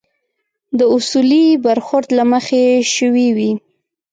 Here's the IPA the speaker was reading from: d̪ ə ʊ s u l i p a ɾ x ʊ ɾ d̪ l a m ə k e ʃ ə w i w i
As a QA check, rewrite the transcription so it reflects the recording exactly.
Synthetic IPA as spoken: d̪ ə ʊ s u l i b a ɾ x ʊ ɾ d̪ l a m ə x e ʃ ə w i w i